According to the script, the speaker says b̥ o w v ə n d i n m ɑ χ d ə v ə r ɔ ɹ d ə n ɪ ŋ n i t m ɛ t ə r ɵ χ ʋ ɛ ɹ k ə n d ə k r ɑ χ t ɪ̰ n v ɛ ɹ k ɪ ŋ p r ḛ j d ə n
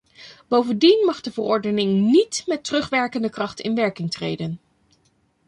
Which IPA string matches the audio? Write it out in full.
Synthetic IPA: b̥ o w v ə n d i n m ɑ χ d ə v ə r ɔ ɹ d ə n ɪ ŋ n i t m ɛ t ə r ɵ χ ʋ ɛ ɹ k ə n d ə k r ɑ χ t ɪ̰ n ʋ ɛ ɹ k ɪ ŋ t r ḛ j d ə n